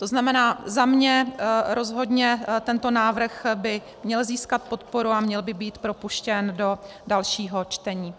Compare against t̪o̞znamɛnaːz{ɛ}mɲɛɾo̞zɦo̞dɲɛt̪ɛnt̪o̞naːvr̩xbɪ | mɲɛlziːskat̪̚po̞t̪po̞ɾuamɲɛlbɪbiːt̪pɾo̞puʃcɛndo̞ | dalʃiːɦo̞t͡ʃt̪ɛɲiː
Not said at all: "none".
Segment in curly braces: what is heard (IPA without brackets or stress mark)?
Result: a